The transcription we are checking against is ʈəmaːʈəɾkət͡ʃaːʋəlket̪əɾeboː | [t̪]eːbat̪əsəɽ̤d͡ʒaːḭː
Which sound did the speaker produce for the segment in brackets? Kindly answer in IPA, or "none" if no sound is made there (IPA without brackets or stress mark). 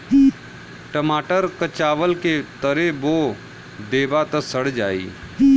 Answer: d̪